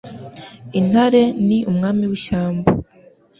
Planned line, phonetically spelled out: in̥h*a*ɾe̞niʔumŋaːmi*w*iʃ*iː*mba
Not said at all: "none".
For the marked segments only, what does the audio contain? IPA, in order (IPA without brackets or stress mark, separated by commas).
a, w, aː